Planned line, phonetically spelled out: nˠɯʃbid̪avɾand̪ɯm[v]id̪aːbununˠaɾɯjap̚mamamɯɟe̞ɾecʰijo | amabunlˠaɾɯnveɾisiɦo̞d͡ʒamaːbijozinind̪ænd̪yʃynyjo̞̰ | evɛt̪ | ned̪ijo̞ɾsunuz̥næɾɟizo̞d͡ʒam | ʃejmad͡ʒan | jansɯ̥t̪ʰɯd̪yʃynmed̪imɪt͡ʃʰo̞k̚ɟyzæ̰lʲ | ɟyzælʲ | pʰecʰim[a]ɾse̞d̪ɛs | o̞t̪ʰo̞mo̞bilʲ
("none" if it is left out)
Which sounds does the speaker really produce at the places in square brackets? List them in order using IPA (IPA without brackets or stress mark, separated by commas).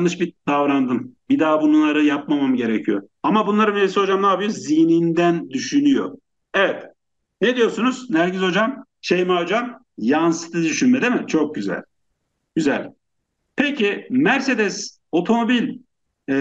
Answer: b, æ